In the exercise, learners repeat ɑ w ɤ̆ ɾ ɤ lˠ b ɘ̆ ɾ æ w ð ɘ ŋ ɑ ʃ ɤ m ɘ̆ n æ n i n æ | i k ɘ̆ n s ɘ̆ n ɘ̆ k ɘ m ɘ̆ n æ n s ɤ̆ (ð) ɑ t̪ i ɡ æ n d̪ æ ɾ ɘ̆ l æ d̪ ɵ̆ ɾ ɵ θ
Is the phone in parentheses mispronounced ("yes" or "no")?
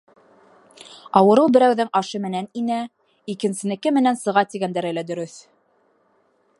yes